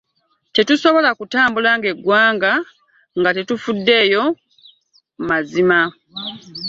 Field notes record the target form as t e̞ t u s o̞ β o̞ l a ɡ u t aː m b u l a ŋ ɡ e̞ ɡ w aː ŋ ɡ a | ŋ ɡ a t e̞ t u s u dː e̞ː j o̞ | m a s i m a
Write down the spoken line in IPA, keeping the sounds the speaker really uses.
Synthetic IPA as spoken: t e̞ t u s o̞ β o̞ l a k u t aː m b u l a ŋ ɡ e̞ ɡ w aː ŋ ɡ a | ŋ ɡ a t e̞ t u f u dː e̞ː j o̞ | m a z i m a

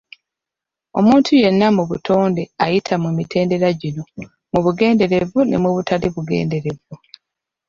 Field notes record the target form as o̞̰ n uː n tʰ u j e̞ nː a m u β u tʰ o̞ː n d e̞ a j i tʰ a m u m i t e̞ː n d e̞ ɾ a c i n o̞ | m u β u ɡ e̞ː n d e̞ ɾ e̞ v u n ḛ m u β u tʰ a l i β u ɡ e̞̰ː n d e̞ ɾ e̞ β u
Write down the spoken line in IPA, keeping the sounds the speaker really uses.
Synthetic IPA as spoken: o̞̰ m uː n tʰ u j e̞ nː a m u β u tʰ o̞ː n d e̞ a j i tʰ a m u m i t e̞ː n d e̞ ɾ a ɟ i n o̞ | m u β u ɡ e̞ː n d e̞ ɾ e̞ v u n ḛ m u β u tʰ a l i β u ɡ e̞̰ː n d e̞ ɾ e̞ v u

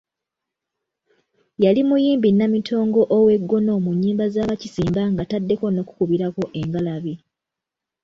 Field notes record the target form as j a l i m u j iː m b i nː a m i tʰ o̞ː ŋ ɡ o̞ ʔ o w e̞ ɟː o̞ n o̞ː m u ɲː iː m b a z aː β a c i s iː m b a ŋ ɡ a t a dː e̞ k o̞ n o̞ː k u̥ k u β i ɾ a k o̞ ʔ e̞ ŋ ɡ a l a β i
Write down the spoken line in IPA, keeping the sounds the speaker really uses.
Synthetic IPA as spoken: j a l i m u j iː m b i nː a m i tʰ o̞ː ŋ ɡ o̞ ʔ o w e̞ ɡː o̞ n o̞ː m u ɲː iː m b a z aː β a c i s iː m b a ŋ ɡ a t a dː e̞ k o̞ n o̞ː k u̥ k u β i ɾ a k o̞ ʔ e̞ ŋ ɡ a l a β i

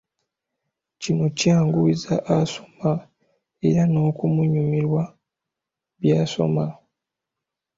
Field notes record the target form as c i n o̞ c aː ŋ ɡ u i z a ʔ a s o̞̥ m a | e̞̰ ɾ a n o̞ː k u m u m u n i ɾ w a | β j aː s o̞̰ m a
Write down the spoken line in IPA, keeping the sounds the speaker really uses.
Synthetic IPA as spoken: c i n o̞ c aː ŋ ɡ u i z a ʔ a s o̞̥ m a | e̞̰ ɾ a n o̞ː k u m u ɲ u m i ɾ w a | β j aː s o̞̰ m a

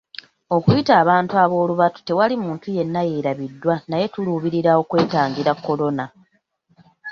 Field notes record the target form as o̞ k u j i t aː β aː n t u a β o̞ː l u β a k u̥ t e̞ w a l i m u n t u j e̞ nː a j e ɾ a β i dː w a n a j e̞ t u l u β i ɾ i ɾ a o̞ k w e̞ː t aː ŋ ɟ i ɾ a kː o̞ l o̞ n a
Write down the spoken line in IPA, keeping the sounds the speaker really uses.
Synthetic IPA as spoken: o̞ k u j i t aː β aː n t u a β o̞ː l u β a t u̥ t e̞ w a l i m uː n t u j e̞ nː a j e ɾ a β i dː w a n a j e̞ t u l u β i ɾ i ɾ a o̞ k w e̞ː t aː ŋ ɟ i ɾ a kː o̞ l o̞ n a

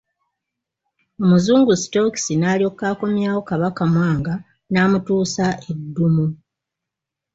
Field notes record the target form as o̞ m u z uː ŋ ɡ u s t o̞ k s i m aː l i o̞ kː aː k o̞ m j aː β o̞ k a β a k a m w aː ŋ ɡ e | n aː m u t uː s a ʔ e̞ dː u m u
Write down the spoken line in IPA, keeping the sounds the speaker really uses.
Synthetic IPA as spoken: o̞ m u z uː ŋ ɡ u s t o̞ k s i n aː l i o̞ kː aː k o̞ m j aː w o̞ k a β a k a m w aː ŋ ɡ a | n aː m u t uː s a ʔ e̞ dː u m u

